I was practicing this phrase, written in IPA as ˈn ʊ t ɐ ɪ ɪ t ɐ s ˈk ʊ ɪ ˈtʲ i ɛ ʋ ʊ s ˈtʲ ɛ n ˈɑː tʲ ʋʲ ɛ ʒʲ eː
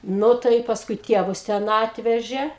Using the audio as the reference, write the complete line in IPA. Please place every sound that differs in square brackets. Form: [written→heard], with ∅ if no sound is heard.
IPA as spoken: ˈn ʊ t ɐ ɪ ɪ [t→p] ɐ s ˈk ʊ ɪ ˈtʲ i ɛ ʋ ʊ s ˈtʲ ɛ n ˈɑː tʲ ʋʲ ɛ ʒʲ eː